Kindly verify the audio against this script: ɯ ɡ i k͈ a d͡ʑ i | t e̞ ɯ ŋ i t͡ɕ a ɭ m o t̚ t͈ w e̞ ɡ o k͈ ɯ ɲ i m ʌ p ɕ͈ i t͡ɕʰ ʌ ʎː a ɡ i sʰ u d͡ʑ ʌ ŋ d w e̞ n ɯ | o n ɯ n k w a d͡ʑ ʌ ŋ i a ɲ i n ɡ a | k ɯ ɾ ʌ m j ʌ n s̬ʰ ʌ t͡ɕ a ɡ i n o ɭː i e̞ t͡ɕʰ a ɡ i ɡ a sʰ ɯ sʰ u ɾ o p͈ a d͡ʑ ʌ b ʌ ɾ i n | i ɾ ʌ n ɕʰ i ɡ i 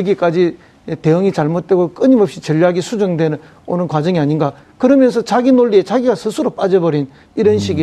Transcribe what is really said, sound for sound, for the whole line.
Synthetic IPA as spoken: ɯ ɡ i k͈ a d͡ʑ i | t e̞ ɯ ŋ i t͡ɕ a ɭ m o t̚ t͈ w e̞ ɡ o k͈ ɯ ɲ i m ʌ p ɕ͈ i t͡ɕ ʌ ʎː a ɡ i sʰ u d͡ʑ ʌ ŋ d w e̞ n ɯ | o n ɯ n k w a d͡ʑ ʌ ŋ i a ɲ i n ɡ a | k ɯ ɾ ʌ m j ʌ n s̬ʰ ʌ t͡ɕ a ɡ i n o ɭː i e̞ t͡ɕ a ɡ i ɡ a sʰ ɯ sʰ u ɾ o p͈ a d͡ʑ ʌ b ʌ ɾ i n | i ɾ ʌ n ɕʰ i ɡ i